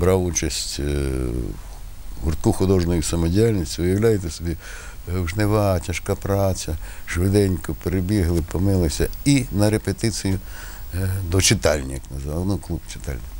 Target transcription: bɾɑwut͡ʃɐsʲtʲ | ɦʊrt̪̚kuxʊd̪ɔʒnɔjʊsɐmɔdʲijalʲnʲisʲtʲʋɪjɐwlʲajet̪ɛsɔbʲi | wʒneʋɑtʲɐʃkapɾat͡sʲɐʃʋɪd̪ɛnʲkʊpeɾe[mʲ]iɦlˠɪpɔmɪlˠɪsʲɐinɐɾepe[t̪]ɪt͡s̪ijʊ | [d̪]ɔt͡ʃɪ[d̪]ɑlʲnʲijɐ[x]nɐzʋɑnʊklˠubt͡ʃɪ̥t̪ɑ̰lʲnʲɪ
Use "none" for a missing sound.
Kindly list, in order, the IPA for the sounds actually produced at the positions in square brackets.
bʲ, t̪, d̪, t̪, k

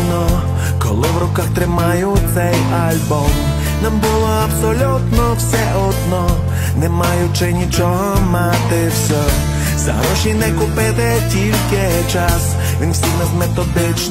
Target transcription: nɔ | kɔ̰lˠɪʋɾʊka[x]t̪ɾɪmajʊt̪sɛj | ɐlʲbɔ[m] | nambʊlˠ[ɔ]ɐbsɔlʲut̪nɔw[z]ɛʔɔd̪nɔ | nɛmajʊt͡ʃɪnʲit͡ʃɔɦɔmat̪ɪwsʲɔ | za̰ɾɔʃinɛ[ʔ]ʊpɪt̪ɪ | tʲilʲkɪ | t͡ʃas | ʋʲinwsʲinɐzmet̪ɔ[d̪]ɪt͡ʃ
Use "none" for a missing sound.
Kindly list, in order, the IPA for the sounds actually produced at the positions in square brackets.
x, m, ɔ, s, k, d̪

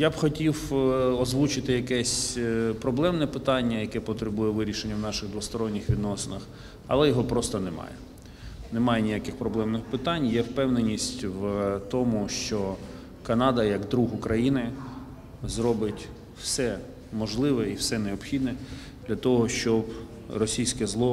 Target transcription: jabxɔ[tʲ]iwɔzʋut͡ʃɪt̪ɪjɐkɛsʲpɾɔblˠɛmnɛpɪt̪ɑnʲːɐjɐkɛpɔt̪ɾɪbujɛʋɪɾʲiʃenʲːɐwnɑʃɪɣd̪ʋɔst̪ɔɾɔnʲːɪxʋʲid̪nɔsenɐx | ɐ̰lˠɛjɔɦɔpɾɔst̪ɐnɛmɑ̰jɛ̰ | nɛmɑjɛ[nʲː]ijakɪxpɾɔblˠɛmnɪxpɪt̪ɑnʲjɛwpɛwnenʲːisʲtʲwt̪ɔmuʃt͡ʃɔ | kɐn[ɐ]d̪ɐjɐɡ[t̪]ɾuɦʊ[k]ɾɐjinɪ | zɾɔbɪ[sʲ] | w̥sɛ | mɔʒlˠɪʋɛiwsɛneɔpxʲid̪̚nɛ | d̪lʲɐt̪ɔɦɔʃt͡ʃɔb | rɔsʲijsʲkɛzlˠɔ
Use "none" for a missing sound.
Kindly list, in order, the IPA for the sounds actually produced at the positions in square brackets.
tʲ, nʲ, ɑ, d̪, k, tʲ

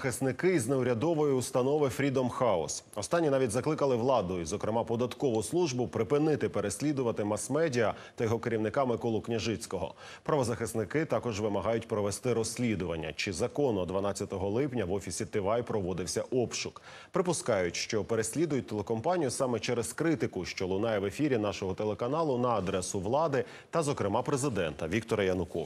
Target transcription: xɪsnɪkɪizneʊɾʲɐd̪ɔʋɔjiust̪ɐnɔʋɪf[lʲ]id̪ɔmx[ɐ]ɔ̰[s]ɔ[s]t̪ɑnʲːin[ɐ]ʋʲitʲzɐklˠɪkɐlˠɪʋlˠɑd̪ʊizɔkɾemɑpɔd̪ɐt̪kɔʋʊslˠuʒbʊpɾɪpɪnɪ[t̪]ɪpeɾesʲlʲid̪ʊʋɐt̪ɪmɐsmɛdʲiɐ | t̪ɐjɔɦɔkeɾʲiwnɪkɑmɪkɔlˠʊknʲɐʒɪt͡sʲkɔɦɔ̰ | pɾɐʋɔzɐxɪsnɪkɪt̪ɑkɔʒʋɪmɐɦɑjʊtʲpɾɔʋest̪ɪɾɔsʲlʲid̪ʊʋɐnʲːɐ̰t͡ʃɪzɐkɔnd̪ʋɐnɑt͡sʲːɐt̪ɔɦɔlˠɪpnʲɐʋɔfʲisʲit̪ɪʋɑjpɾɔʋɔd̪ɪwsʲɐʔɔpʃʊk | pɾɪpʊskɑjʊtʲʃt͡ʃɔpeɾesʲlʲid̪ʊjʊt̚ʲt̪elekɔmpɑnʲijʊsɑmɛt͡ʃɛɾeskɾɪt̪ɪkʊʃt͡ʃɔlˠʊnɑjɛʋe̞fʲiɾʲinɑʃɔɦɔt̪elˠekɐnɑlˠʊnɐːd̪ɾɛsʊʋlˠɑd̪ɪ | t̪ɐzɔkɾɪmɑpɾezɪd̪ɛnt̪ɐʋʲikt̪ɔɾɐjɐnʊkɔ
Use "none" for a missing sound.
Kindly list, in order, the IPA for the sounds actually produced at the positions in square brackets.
ɾʲ, ɑ, s, s, ɑ, t̪

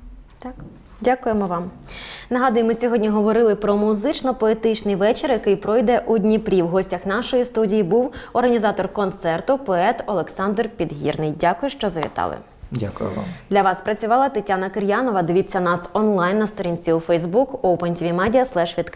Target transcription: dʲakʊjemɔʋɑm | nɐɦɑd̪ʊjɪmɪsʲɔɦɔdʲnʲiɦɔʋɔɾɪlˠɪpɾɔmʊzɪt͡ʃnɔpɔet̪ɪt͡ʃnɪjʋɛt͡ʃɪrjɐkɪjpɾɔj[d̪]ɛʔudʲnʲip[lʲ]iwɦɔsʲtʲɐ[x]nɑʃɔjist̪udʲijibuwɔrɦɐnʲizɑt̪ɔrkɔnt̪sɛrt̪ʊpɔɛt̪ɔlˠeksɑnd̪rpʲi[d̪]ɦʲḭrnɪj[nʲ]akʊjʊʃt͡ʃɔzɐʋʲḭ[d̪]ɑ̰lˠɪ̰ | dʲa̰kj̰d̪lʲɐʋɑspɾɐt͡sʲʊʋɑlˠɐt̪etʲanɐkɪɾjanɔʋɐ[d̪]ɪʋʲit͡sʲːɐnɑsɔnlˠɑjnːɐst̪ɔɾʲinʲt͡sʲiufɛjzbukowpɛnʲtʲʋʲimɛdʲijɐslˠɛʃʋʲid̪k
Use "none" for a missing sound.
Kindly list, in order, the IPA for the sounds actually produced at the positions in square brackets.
d̪, ɾʲ, x, d̪, dʲ, t̪, d̪

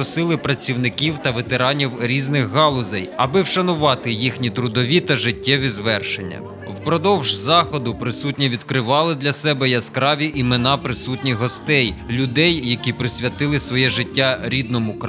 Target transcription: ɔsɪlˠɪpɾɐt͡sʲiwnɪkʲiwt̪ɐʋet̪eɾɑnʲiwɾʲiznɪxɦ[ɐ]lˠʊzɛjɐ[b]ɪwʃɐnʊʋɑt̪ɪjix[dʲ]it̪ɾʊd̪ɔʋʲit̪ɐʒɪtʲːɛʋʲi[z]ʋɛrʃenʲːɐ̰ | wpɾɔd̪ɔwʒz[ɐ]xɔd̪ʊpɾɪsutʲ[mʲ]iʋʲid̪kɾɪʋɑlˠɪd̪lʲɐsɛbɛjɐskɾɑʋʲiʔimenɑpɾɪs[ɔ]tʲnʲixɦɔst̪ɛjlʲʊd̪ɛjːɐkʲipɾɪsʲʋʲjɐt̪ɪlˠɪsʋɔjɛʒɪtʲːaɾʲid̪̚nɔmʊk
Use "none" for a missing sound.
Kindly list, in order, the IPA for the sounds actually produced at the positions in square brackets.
ɑ, b, nʲ, z, ɑ, nʲ, u

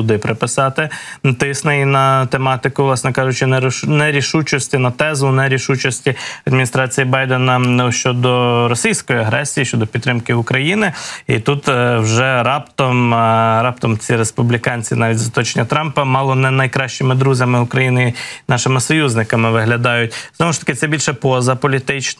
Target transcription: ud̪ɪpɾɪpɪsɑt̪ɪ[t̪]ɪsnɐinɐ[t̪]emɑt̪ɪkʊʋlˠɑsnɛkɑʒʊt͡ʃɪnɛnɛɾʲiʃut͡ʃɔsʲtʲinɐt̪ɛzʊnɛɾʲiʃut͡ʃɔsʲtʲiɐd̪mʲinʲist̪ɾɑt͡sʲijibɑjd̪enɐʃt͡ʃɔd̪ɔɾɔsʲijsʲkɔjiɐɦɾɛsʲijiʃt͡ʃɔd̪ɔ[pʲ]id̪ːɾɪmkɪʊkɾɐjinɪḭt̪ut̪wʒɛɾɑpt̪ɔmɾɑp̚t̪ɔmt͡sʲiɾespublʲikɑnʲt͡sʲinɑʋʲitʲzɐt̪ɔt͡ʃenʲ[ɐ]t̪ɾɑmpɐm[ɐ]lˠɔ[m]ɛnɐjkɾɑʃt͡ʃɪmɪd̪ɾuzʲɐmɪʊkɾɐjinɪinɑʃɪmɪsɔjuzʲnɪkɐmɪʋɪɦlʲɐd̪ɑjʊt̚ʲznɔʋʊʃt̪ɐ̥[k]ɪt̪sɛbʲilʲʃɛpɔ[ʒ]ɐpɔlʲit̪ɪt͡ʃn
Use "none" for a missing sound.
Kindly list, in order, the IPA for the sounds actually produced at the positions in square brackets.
t̪, t̪, pʲ, ɐ, ɑ, n, k, z

